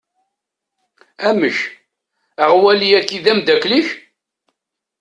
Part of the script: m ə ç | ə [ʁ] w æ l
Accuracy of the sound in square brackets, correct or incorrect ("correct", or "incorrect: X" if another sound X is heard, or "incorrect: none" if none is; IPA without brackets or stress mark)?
correct